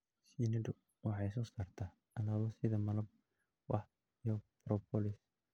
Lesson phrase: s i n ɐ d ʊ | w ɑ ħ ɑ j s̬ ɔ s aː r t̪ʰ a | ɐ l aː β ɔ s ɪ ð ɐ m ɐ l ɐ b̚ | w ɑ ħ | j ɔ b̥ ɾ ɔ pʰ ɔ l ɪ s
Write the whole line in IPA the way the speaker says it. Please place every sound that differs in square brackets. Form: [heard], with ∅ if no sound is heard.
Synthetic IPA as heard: s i n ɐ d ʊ | w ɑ ħ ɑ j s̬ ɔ s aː r t̪ʰ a | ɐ l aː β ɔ s ɪ ð ɐ m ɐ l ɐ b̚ | w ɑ ħ | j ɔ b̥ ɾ ɔ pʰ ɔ l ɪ s